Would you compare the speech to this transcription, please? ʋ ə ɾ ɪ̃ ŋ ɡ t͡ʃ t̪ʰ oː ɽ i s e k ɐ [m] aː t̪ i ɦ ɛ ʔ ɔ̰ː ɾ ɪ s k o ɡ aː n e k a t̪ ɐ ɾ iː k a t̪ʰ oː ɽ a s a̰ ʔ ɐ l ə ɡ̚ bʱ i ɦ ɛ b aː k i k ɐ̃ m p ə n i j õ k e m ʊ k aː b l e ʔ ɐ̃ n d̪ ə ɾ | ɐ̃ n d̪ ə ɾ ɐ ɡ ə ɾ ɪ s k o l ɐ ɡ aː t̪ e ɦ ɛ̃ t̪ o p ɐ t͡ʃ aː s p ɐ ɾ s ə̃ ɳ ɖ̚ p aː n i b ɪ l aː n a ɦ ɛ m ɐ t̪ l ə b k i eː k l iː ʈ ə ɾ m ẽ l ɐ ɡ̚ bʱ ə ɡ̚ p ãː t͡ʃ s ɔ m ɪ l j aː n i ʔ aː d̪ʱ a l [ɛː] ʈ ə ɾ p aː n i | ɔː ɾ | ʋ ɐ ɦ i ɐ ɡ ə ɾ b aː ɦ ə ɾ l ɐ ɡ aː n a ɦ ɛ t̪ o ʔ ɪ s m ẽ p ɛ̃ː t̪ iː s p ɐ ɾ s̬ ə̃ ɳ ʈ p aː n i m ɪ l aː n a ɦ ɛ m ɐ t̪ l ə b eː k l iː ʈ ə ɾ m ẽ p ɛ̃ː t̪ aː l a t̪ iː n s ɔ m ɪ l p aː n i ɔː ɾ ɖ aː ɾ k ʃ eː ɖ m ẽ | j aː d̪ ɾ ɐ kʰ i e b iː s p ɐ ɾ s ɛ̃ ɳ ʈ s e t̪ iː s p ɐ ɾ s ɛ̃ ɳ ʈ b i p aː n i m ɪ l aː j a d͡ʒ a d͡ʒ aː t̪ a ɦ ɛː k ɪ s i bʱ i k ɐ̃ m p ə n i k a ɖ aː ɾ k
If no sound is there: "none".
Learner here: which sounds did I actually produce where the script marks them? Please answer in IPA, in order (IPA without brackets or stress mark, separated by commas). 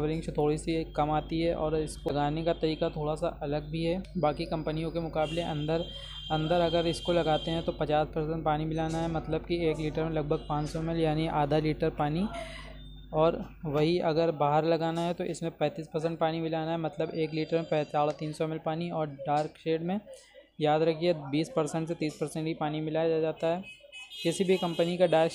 m, iː